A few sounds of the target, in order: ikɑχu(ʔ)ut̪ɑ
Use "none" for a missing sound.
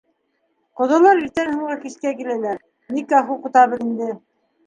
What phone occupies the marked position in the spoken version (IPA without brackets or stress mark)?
q